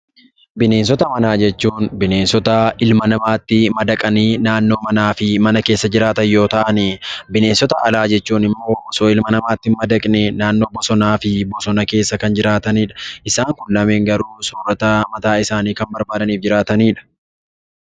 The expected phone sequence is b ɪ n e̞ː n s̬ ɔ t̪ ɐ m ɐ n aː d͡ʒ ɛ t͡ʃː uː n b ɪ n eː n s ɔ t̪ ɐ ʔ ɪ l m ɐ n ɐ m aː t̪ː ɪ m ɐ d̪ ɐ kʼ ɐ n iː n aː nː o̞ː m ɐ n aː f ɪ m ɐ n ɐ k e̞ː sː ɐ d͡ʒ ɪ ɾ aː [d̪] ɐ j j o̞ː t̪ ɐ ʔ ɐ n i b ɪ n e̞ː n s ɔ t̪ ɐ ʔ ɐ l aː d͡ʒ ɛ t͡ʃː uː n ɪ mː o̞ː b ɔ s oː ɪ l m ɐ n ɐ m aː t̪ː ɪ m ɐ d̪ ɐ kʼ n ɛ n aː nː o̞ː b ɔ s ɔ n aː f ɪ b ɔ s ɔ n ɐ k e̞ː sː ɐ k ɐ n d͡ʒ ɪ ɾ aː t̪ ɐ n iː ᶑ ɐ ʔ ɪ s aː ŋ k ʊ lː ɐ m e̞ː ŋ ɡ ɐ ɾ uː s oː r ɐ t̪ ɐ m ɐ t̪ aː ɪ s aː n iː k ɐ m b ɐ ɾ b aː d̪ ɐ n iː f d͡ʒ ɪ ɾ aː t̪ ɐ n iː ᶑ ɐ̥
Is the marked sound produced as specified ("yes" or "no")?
no